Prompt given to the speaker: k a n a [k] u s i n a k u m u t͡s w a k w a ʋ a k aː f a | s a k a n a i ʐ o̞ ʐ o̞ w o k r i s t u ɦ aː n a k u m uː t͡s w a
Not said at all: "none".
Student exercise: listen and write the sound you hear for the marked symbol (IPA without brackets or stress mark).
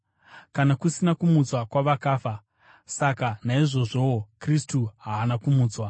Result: k